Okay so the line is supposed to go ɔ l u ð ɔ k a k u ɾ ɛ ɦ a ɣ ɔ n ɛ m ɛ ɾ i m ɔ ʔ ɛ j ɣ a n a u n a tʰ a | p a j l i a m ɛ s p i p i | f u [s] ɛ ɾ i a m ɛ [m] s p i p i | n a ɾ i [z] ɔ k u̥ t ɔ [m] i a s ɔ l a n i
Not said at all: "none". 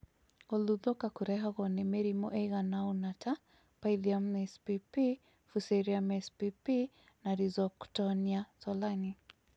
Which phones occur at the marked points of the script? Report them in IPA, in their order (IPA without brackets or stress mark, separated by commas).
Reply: s, none, z, n